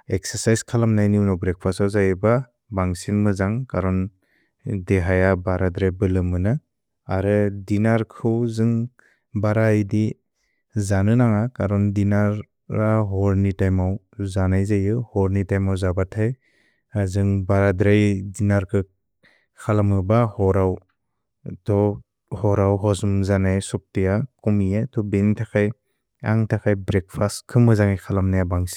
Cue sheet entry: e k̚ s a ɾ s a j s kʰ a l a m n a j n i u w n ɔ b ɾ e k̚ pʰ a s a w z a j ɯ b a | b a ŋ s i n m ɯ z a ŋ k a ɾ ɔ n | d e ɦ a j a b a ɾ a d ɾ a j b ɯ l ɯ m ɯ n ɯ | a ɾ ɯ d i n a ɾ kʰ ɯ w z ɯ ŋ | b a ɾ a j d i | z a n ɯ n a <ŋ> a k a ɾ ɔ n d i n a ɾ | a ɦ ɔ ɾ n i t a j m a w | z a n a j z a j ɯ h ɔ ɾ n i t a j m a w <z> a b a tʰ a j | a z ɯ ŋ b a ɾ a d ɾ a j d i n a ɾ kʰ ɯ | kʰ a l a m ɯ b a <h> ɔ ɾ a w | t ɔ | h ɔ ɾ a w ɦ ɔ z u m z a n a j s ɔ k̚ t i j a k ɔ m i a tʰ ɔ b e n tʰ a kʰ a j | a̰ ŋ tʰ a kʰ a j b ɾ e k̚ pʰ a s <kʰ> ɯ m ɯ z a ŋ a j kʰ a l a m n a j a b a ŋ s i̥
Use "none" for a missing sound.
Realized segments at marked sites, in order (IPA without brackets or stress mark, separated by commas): ŋ, z, h, kʰ